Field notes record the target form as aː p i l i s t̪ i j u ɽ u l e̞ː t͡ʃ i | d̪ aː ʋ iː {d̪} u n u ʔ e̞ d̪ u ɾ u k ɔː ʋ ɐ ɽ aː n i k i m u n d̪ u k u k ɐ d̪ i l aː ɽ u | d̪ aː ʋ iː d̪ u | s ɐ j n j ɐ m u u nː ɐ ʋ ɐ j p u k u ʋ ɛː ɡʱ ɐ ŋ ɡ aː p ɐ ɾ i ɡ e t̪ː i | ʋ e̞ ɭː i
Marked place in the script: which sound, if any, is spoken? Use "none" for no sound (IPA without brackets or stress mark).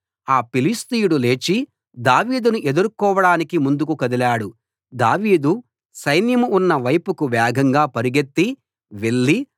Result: d̪